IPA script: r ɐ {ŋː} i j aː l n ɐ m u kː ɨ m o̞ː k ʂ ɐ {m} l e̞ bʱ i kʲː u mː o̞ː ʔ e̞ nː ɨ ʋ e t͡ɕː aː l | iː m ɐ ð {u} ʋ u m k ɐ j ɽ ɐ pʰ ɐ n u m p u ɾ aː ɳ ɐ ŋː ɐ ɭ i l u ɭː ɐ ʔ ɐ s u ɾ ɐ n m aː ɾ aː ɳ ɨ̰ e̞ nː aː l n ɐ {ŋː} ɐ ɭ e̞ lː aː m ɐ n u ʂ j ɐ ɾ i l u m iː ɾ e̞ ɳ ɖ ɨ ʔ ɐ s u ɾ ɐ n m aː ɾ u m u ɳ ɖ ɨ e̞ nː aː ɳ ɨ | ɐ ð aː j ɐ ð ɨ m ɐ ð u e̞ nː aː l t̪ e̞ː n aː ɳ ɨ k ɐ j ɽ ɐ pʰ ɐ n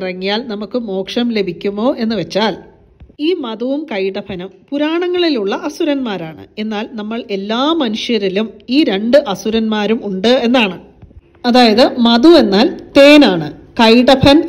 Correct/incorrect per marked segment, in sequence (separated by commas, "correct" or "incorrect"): correct, correct, correct, incorrect